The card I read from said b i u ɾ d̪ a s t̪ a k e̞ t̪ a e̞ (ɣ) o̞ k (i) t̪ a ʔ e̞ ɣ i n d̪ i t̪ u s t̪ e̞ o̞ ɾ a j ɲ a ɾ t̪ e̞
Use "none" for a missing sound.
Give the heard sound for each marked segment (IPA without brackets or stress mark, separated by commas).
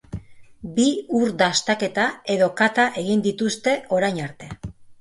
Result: ð, a